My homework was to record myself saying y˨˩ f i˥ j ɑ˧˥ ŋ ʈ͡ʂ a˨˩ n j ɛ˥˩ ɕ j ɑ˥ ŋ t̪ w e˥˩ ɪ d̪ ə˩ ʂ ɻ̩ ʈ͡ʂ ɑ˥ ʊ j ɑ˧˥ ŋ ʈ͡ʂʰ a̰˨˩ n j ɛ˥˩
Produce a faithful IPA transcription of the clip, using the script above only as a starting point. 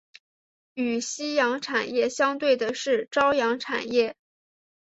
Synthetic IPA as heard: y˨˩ ɕ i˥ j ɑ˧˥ ŋ ʈ͡ʂʰ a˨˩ n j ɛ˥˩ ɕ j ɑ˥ ŋ t̪ w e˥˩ ɪ d̪ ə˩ ʂ ɻ̩ ʈ͡ʂ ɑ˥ ʊ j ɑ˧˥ ŋ ʈ͡ʂʰ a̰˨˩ n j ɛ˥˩